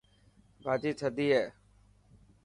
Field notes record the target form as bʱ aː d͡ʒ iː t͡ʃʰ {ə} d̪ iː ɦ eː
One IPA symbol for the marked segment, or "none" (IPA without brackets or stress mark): ə